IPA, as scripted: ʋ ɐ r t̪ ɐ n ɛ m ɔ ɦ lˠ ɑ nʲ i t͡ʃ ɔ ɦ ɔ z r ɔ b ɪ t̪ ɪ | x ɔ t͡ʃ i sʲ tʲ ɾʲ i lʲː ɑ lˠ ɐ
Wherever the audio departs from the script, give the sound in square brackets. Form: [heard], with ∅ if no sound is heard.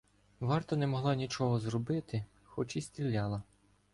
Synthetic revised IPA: ʋ [ɑ] r t̪ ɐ n ɛ m ɔ ɦ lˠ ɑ nʲ i t͡ʃ ɔ ɦ ɔ z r ɔ b ɪ t̪ ɪ | x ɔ t͡ʃ i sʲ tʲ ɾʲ i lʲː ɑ lˠ ɐ